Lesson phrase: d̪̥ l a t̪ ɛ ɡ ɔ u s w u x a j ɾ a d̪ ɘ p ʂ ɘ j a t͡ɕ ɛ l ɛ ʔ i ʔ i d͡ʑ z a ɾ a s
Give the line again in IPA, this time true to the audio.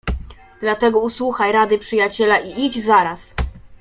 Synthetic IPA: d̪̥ l a t̪ ɛ ɡ ɔ u s w u x a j ɾ a d̪ ɘ p ʂ ɘ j a t͡ɕ ɛ l a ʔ i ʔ i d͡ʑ z a ɾ a s